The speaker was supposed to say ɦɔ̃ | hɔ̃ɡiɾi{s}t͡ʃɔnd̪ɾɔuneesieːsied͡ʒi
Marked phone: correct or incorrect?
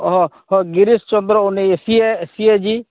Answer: correct